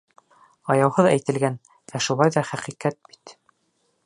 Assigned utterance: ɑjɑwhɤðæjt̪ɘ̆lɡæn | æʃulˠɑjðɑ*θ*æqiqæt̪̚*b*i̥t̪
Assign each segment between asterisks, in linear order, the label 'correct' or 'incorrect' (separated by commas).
incorrect, correct